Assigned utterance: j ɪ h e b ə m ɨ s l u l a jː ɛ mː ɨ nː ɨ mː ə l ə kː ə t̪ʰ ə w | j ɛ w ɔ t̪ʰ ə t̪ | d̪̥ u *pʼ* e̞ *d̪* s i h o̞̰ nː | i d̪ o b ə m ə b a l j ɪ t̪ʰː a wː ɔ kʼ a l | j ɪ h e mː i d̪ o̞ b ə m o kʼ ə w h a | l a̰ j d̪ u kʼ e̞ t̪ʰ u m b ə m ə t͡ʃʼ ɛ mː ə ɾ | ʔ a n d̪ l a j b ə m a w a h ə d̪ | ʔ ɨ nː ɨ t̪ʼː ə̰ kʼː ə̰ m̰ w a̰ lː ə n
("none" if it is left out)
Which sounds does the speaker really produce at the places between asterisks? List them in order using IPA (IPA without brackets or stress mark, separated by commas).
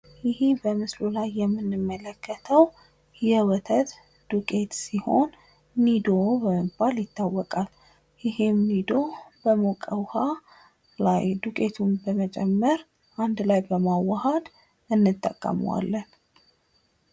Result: kʼ, t̪